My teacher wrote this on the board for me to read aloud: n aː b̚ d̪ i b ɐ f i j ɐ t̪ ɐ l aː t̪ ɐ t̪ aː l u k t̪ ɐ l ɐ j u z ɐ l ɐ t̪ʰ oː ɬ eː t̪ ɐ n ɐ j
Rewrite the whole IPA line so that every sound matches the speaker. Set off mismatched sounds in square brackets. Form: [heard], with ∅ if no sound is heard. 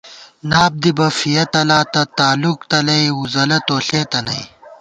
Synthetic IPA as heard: n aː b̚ d̪ i b ɐ f i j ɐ t̪ ɐ l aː t̪ ɐ t̪ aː l u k t̪ ɐ l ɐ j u z ɐ l ɐ [t̪] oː ɬ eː t̪ ɐ n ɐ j